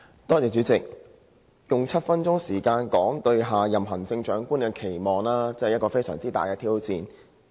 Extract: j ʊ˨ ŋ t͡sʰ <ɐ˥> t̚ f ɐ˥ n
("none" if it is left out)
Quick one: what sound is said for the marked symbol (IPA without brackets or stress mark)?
ɐ˥